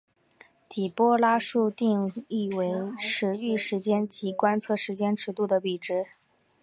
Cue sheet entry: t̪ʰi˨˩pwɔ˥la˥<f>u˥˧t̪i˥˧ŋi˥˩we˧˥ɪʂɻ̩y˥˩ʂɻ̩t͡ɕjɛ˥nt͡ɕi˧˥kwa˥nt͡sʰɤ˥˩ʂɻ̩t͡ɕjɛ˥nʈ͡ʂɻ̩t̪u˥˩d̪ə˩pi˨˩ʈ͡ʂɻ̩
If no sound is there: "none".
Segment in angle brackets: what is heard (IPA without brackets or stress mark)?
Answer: ʂ